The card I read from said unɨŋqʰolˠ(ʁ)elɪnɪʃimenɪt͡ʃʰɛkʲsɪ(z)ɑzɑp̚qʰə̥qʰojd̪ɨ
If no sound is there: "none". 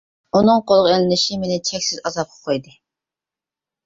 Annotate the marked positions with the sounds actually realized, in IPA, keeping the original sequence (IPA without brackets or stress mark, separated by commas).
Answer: ʁ, z